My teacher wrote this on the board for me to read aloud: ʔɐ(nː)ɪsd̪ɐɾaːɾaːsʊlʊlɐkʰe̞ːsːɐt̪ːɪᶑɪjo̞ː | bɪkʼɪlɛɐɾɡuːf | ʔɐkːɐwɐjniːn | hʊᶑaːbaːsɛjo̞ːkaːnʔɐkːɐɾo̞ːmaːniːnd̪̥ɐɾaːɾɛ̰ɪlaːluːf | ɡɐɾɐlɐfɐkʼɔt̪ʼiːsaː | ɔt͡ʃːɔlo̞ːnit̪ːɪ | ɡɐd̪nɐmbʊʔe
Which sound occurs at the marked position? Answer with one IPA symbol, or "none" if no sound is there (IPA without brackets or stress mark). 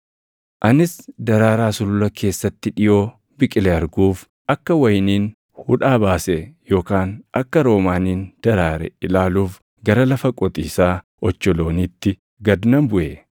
n